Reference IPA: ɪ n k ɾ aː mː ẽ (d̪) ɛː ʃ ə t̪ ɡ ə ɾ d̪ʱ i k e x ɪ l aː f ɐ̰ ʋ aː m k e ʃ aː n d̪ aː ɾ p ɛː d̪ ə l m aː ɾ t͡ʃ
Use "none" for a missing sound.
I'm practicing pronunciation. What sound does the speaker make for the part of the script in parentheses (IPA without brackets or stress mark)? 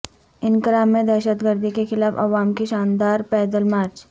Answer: d̪